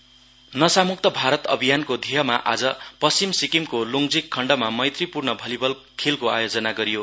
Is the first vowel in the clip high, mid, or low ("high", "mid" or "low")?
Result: mid